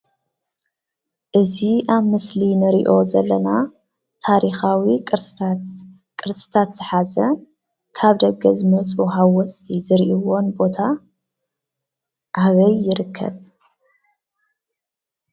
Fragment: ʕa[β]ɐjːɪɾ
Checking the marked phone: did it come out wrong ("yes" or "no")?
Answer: no